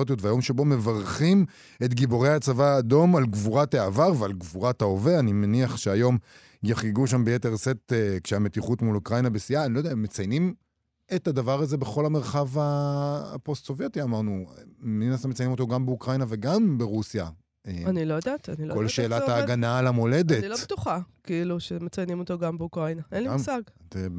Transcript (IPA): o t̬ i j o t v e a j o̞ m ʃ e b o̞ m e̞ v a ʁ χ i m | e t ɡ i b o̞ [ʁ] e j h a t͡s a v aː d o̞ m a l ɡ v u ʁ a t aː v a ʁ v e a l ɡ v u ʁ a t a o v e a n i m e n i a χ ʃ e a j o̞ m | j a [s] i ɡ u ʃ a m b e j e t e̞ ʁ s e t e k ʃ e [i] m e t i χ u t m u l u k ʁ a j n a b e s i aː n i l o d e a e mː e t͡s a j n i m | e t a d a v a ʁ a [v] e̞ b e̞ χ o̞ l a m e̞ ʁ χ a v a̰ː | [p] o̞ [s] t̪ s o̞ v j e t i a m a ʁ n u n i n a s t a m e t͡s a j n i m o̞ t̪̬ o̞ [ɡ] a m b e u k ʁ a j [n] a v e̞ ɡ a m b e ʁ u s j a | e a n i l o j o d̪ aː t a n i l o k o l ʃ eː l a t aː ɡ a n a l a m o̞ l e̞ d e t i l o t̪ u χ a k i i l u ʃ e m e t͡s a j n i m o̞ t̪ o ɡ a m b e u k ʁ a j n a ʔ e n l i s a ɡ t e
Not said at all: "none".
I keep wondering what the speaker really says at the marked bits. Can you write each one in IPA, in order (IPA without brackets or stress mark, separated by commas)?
ʁ, χ, a, z, p, s, ɡ, n